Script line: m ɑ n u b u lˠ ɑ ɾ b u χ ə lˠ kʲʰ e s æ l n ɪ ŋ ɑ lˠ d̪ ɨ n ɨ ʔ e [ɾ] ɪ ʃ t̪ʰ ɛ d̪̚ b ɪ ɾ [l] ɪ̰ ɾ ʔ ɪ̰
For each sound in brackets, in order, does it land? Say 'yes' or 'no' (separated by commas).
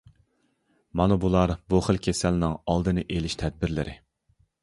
no, yes